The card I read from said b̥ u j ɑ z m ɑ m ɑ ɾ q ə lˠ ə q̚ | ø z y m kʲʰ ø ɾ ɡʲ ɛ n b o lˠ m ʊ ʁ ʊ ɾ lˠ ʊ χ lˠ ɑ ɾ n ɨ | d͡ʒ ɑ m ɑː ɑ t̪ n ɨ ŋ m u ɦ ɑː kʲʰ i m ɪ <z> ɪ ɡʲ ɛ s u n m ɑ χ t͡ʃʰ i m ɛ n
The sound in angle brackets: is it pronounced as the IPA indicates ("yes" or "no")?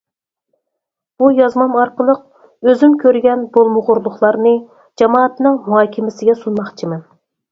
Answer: no